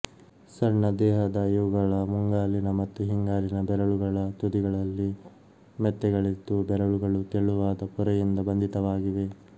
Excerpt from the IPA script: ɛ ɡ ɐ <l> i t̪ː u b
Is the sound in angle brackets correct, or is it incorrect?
incorrect